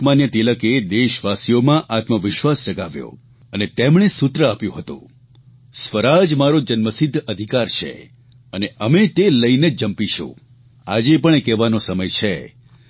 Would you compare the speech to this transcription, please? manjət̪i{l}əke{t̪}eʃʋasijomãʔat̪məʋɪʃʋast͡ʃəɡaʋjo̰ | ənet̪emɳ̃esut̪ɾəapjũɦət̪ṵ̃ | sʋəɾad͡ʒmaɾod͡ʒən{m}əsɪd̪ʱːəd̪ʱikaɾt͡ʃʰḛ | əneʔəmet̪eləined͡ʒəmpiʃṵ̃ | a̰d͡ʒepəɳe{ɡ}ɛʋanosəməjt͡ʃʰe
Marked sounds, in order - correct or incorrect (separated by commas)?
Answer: correct, incorrect, correct, incorrect